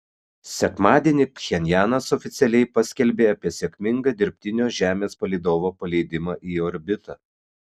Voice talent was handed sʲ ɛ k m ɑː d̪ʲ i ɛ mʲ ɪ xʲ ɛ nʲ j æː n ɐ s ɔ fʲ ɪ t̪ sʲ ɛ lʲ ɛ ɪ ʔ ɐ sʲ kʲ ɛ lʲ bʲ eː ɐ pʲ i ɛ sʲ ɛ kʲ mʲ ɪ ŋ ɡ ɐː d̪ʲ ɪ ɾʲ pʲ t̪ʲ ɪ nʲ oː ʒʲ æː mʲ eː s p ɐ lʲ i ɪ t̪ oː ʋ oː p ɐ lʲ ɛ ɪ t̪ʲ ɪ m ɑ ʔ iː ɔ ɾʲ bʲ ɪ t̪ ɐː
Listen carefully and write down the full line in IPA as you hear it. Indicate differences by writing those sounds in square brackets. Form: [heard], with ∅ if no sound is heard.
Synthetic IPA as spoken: sʲ ɛ k m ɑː d̪ʲ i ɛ [nʲ] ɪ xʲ ɛ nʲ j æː n ɐ s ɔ fʲ ɪ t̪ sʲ ɛ lʲ ɛ ɪ [p] ɐ sʲ kʲ ɛ lʲ bʲ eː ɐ pʲ i ɛ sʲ ɛ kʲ mʲ ɪ ŋ ɡ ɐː d̪ʲ ɪ ɾʲ pʲ t̪ʲ ɪ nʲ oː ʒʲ æː mʲ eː s p ɐ lʲ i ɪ [d̪] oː ʋ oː p ɐ lʲ ɛ ɪ [d̪ʲ] ɪ m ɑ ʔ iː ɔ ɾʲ bʲ ɪ t̪ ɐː

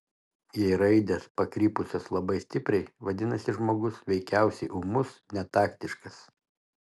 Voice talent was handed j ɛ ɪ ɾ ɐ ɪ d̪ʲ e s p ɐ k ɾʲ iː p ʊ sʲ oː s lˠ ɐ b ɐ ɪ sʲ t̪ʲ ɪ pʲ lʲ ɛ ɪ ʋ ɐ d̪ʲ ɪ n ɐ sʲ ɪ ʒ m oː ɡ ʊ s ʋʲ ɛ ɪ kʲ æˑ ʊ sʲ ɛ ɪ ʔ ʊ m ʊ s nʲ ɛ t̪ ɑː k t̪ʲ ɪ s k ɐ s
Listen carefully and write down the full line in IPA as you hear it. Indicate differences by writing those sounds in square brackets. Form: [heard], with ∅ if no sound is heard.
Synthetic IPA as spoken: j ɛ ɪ ɾ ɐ ɪ d̪ʲ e s p ɐ k ɾʲ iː p ʊ sʲ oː s lˠ ɐ b ɐ ɪ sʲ t̪ʲ ɪ pʲ [ɾʲ] ɛ ɪ ʋ ɐ d̪ʲ ɪ n ɐ sʲ ɪ ʒ m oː ɡ ʊ s ʋʲ ɛ ɪ kʲ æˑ ʊ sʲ ɛ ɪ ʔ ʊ m ʊ s nʲ ɛ t̪ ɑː k t̪ʲ ɪ [ʃ] k ɐ s

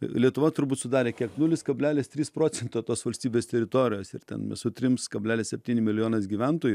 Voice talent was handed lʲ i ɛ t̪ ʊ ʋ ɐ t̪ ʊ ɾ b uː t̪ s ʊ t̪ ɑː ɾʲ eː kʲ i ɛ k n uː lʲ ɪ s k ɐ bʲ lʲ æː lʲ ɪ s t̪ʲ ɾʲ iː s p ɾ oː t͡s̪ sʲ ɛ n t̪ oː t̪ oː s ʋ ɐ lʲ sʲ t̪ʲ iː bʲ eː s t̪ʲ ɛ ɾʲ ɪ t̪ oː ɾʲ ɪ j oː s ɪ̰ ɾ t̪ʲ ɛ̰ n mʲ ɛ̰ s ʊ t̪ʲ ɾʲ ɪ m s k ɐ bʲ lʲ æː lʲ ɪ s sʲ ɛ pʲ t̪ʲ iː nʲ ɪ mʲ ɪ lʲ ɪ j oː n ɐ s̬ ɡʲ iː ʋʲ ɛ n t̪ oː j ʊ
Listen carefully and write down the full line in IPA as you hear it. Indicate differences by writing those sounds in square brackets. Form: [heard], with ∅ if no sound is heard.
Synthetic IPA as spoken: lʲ i ɛ t̪ ʊ ʋ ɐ t̪ ʊ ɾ b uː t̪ s ʊ [d̪] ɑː ɾʲ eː kʲ i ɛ k n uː lʲ ɪ s k ɐ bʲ lʲ æː lʲ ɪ s t̪ʲ ɾʲ iː s p ɾ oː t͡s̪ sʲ ɛ n t̪ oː t̪ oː s ʋ ɐ lʲ sʲ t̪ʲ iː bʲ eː s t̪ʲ ɛ ɾʲ ɪ t̪ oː ɾʲ ɪ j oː s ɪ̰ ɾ t̪ʲ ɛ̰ n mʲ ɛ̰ s ʊ t̪ʲ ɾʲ ɪ m s k ɐ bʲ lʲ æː lʲ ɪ s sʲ ɛ pʲ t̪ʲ iː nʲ ɪ mʲ ɪ lʲ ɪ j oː n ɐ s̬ ɡʲ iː ʋʲ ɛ n t̪ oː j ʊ

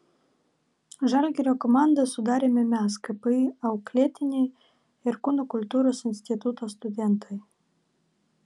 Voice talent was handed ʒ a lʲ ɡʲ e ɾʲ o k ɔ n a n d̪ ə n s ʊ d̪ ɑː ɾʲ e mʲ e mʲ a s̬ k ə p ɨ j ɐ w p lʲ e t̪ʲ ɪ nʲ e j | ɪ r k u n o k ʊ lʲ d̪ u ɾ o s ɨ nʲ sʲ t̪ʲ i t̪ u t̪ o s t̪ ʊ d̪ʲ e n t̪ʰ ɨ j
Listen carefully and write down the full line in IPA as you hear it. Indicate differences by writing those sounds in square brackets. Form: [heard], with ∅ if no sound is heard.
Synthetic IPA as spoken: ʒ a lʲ ɡʲ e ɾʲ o k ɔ [m] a n d̪ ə [∅] s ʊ d̪ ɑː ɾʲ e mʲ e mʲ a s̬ k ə p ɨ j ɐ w [k] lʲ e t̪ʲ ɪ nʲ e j | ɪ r k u n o k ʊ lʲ [t̪] u ɾ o s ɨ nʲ sʲ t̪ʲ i t̪ u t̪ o s t̪ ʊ d̪ʲ e n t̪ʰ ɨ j

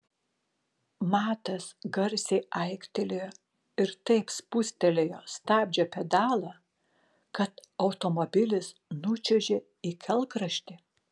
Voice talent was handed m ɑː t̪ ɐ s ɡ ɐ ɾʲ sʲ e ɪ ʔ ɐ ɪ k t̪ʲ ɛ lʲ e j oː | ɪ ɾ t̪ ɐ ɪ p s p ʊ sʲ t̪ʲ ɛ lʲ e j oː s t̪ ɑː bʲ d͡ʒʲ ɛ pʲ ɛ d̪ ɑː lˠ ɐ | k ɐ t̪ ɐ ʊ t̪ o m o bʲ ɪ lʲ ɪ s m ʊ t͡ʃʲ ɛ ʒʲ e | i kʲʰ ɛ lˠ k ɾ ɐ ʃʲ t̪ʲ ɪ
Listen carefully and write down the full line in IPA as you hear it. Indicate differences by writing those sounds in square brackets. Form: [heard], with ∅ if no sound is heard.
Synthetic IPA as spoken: m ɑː t̪ ɐ s ɡ ɐ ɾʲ sʲ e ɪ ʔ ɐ ɪ k t̪ʲ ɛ lʲ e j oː | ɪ ɾ t̪ ɐ ɪ p s p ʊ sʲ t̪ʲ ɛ lʲ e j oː s t̪ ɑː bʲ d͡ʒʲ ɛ pʲ ɛ d̪ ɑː lˠ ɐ | k ɐ t̪ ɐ ʊ t̪ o m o bʲ ɪ lʲ ɪ s [n] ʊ t͡ʃʲ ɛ ʒʲ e | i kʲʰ ɛ lˠ k ɾ ɐ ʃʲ t̪ʲ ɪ

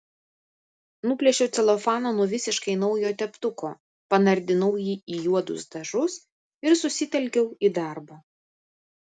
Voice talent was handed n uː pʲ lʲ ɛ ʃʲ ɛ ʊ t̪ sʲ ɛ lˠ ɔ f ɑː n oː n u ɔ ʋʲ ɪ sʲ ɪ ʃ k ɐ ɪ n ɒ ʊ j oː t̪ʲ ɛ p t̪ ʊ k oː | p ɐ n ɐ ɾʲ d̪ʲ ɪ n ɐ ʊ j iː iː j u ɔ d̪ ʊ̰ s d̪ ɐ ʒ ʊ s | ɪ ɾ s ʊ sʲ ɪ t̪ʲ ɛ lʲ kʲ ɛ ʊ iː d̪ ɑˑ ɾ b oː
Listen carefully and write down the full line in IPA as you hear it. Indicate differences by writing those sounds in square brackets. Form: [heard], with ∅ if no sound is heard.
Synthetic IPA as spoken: n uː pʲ lʲ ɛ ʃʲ ɛ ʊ t̪ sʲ ɛ lˠ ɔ f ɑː n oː n u ɔ ʋʲ ɪ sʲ ɪ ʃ k ɐ ɪ n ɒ ʊ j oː t̪ʲ ɛ p t̪ ʊ k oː | p ɐ n ɐ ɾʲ d̪ʲ ɪ n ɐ ʊ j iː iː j u ɔ d̪ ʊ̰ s d̪ ɐ ʒ ʊ s | ɪ ɾ s ʊ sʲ ɪ t̪ʲ ɛ lʲ kʲ ɛ ʊ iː d̪ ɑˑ ɾ b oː

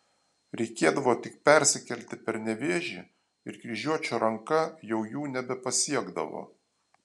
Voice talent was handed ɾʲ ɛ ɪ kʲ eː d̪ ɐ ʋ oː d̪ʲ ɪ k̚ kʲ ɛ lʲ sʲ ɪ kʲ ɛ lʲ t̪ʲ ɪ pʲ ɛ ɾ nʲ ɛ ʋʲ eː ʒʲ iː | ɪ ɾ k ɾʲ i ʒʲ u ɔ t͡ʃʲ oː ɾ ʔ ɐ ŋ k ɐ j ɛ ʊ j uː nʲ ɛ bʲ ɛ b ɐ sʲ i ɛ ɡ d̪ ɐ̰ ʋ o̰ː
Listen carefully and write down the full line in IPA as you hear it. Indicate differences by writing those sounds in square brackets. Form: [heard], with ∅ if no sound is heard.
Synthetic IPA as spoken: ɾʲ ɛ ɪ kʲ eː d̪ ɐ ʋ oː [t̪ʲ] ɪ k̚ [pʲ] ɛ [ɾʲ] sʲ ɪ kʲ ɛ lʲ t̪ʲ ɪ pʲ ɛ ɾ nʲ ɛ ʋʲ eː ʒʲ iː | ɪ ɾ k ɾʲ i ʒʲ u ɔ t͡ʃʲ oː ɾ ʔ ɐ ŋ k ɐ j ɛ ʊ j uː nʲ ɛ bʲ ɛ [p] ɐ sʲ i ɛ ɡ d̪ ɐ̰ ʋ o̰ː

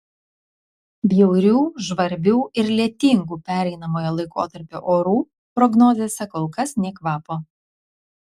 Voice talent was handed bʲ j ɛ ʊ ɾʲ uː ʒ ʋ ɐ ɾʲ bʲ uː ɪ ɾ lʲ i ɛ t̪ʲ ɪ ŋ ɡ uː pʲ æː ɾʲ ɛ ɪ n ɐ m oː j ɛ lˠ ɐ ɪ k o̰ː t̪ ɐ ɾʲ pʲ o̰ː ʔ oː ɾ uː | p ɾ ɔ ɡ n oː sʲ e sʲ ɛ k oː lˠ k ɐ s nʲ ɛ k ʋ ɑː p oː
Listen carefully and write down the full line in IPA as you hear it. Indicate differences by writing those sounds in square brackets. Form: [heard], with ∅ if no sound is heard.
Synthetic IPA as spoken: bʲ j ɛ ʊ ɾʲ uː ʒ ʋ ɐ ɾʲ bʲ uː ɪ ɾ lʲ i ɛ t̪ʲ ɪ ŋ ɡ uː pʲ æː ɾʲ ɛ ɪ n ɐ m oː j ɛ lˠ ɐ ɪ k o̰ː t̪ ɐ ɾʲ pʲ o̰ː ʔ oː ɾ uː | p ɾ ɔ ɡ n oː [zʲ] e sʲ ɛ k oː lˠ k ɐ s nʲ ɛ k ʋ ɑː p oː

